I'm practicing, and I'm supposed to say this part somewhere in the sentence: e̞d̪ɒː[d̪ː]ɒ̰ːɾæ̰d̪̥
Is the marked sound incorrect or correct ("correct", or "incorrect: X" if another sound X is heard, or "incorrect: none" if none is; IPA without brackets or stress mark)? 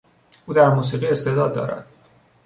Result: correct